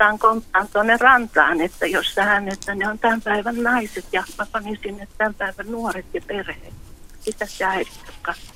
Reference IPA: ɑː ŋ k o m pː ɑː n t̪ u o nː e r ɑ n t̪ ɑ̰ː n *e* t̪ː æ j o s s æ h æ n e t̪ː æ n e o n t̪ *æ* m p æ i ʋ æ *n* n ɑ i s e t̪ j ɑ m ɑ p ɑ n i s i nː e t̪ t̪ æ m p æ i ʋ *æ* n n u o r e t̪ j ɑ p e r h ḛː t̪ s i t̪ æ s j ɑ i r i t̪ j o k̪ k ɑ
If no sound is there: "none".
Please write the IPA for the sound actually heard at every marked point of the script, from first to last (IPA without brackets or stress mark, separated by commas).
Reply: e, æ, n, æ